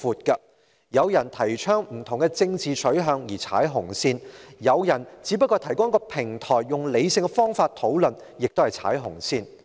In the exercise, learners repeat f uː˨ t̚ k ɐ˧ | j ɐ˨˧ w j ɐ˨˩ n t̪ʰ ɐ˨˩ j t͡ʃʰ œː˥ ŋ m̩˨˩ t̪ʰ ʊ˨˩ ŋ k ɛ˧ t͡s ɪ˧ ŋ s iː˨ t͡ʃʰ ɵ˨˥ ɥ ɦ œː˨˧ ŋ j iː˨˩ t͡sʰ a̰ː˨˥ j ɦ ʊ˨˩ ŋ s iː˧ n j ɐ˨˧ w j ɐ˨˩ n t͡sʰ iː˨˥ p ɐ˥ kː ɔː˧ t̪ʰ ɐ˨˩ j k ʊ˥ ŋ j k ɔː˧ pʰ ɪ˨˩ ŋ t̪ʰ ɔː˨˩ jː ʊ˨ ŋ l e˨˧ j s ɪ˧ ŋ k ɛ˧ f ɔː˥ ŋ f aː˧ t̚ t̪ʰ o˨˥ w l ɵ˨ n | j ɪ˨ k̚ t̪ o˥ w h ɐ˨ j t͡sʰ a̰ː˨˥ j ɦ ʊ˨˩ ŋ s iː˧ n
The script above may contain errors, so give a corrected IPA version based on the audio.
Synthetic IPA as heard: f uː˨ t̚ k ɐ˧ | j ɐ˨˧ w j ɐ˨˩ n t̪ʰ ɐ˨˩ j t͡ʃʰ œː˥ ŋ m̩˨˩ t̪ʰ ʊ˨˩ ŋ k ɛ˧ t͡s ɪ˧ ŋ t͡s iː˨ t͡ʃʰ ɵ˨˥ ɥ ɦ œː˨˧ ŋ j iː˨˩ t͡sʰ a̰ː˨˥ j ɦ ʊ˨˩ ŋ s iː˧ n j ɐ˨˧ w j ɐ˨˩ n t͡s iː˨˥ p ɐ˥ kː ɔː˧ t̪ʰ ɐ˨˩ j k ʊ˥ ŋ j k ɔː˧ pʰ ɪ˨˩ ŋ t̪ʰ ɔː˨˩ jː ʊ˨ ŋ l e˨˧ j s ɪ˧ ŋ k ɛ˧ f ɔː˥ ŋ f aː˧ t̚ t̪ʰ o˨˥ w l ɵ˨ n | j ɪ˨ k̚ t̪ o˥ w h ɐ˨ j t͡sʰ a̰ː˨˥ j ɦ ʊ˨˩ ŋ s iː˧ n